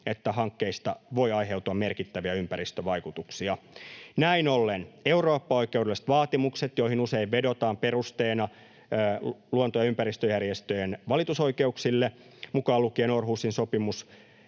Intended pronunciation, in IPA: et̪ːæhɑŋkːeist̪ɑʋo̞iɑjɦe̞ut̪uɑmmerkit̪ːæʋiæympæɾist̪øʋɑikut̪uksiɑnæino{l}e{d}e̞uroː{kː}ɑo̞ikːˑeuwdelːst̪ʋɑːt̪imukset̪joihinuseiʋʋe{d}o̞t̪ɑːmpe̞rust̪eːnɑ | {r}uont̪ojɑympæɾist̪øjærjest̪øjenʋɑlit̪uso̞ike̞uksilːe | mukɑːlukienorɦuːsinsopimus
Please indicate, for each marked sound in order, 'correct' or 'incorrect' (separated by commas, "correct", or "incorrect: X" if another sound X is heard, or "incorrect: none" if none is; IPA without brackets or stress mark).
incorrect: lː, incorrect: n, incorrect: pː, correct, incorrect: l